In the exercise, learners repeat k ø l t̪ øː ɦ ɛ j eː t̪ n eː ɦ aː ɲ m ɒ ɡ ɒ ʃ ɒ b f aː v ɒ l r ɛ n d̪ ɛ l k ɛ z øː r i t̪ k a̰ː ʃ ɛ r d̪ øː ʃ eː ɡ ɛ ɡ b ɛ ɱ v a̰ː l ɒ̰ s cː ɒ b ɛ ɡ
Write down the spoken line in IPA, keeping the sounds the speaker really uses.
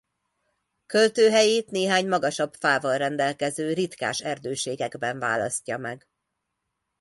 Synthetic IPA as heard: k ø l t̪ øː ɦ ɛ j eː t̪ n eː ɦ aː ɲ m ɒ ɡ ɒ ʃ ɒ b f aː v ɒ l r ɛ n d̪ ɛ l k ɛ z øː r i t̪ k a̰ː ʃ ɛ r d̪ øː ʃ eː ɡ ɛ ɡ b ɛ ɱ v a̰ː l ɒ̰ s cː ɒ m ɛ ɡ